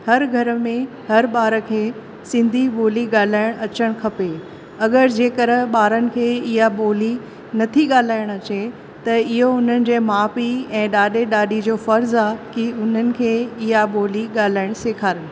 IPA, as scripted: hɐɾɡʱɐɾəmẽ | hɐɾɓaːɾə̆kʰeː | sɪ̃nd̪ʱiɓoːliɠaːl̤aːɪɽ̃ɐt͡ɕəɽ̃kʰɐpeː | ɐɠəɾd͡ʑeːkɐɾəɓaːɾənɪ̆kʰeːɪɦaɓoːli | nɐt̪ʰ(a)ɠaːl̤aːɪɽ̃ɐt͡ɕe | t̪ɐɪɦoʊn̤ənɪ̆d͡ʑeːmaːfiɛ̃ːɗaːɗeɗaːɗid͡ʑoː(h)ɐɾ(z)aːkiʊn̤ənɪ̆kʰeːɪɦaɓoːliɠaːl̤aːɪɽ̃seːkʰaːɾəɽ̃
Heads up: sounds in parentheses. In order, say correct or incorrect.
incorrect: i, incorrect: f, correct

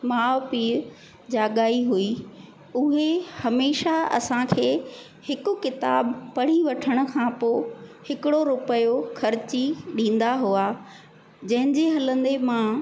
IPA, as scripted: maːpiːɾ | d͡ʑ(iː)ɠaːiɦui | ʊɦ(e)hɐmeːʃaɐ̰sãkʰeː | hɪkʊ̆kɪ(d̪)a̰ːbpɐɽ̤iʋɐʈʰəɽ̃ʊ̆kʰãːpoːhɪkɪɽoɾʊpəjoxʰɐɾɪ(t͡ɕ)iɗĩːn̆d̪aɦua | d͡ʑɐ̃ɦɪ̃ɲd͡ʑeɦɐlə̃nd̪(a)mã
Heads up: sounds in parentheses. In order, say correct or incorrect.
incorrect: aː, correct, incorrect: t̪, correct, incorrect: e

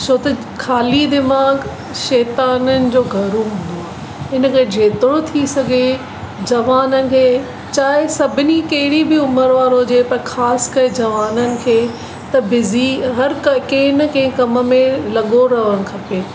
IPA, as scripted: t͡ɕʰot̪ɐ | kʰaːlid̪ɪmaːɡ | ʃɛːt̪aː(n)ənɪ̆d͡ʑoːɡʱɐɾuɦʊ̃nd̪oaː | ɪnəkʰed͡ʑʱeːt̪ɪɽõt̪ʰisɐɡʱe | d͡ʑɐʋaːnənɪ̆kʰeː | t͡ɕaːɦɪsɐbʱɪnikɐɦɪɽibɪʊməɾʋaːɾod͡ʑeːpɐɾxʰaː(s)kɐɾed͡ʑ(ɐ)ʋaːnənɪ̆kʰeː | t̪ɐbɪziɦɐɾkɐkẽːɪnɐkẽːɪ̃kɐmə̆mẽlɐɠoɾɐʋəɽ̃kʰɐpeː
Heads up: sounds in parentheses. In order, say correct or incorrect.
correct, correct, correct

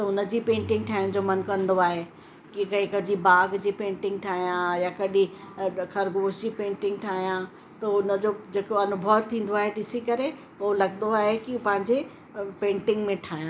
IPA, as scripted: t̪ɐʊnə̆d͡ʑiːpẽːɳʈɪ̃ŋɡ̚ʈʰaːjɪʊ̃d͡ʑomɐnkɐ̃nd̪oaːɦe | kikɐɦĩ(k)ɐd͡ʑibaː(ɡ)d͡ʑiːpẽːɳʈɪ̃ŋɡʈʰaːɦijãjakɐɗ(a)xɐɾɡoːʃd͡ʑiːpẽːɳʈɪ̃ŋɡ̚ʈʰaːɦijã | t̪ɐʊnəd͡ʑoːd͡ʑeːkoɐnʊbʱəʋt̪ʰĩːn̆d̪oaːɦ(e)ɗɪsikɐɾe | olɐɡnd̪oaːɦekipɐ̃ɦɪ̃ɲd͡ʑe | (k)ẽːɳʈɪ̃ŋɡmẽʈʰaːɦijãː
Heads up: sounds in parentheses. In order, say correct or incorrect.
correct, correct, incorrect: i, correct, incorrect: p

